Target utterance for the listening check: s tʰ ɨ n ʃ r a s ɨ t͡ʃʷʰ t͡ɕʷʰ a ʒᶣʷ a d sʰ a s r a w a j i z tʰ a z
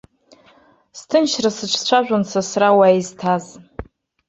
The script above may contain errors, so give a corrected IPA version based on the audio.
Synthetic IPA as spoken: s tʰ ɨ n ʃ r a s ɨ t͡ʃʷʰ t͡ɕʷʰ a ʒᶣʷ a n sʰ a s r a w a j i z tʰ a z